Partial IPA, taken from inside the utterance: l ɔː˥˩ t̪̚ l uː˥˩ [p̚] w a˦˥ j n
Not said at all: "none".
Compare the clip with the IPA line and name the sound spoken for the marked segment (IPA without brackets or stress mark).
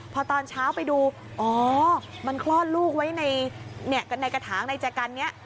k̚